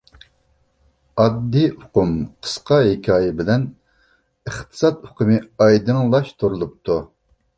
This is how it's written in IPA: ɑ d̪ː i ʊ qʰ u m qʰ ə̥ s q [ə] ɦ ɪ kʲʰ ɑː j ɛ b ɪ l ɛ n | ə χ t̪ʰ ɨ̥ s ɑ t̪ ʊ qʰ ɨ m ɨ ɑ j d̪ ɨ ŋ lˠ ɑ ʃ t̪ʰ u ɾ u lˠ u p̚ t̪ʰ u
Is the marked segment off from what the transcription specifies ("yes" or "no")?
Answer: yes